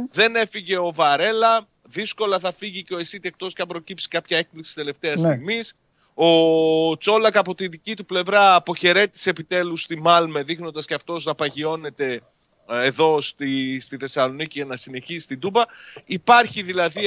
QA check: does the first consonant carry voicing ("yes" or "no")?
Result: yes